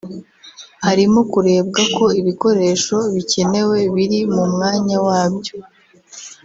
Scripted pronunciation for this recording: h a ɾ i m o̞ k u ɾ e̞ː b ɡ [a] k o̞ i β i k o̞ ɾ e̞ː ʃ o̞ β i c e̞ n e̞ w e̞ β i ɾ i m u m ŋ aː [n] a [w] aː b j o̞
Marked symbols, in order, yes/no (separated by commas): yes, no, yes